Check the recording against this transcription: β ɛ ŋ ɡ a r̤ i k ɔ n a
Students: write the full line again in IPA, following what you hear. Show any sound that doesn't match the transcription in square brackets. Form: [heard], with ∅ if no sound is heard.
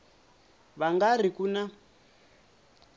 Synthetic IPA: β [a] ŋ ɡ a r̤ i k [u] n a